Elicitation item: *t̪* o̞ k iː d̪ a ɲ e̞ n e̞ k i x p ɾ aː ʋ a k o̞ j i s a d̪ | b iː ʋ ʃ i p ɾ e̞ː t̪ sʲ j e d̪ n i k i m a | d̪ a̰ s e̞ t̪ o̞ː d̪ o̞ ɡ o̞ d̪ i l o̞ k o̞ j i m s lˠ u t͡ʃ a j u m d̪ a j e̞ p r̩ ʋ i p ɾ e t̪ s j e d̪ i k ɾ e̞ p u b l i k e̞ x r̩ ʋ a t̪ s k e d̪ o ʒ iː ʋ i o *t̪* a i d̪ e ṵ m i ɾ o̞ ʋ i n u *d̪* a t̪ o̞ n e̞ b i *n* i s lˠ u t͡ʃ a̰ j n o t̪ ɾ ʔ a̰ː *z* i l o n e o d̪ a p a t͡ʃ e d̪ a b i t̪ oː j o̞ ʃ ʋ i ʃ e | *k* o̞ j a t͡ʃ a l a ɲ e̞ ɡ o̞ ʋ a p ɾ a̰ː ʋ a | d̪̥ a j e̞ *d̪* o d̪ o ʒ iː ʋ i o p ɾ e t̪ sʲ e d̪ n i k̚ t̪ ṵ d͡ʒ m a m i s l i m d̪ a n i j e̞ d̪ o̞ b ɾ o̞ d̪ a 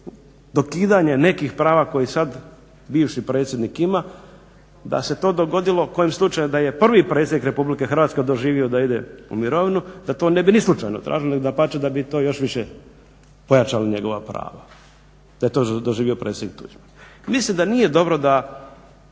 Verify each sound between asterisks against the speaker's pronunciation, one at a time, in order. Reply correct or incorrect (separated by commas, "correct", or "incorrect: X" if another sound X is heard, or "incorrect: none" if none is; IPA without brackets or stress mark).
incorrect: d̪, incorrect: d̪, correct, correct, incorrect: ʒ, incorrect: p, incorrect: t̪